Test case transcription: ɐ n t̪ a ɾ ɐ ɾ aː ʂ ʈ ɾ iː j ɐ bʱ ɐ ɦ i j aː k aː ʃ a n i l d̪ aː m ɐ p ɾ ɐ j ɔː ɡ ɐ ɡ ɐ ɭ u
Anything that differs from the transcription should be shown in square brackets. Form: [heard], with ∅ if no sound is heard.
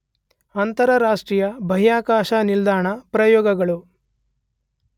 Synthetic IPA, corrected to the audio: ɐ n t̪ [ɐ] ɾ ɐ ɾ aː ʂ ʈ ɾ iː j ɐ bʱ ɐ ɦ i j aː k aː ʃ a n i l d̪ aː [ɳ] ɐ p ɾ ɐ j ɔː ɡ ɐ ɡ ɐ ɭ u